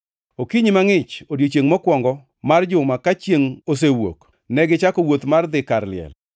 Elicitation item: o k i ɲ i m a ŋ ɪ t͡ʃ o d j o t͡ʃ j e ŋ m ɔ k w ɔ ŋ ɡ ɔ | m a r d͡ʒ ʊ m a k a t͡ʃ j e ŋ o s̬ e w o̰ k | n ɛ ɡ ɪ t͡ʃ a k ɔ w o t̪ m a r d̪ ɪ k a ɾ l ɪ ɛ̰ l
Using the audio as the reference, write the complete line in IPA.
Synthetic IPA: o k i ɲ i m a ŋ ɪ t͡ʃ o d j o t͡ʃ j e ŋ m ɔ k w ɔ ŋ ɡ ɔ | m a r d͡ʒ ʊ m a k a t͡ʃ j e ŋ o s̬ e w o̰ k | n ɛ ɡ ɪ t͡ʃ a k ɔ w o t̪ m a r d̪ ɪ k a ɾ l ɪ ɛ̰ l